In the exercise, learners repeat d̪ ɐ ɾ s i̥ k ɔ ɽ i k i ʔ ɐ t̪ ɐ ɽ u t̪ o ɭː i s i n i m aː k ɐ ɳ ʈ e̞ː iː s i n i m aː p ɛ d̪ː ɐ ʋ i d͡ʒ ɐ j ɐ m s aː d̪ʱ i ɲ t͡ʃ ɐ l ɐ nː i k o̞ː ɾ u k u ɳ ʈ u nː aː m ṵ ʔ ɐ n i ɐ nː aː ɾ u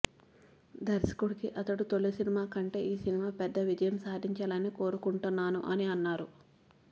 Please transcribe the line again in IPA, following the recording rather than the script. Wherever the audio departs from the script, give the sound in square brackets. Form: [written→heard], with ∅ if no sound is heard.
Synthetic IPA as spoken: d̪ ɐ ɾ s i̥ k [ɔ→u] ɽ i k i ʔ ɐ t̪ ɐ ɽ u t̪ o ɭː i s i n i m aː k ɐ ɳ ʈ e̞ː iː s i n i m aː p ɛ d̪ː ɐ ʋ i d͡ʒ ɐ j ɐ m s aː d̪ʱ i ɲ t͡ʃ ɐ l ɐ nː i k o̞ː ɾ u k u ɳ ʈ u nː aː [m→n] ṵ ʔ ɐ n i ɐ nː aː ɾ u